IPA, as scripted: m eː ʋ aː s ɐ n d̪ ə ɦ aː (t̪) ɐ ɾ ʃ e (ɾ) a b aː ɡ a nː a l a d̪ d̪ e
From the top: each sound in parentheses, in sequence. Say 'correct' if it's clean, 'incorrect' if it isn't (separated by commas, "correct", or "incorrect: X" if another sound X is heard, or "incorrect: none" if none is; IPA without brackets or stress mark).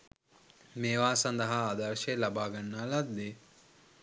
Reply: incorrect: d̪, incorrect: l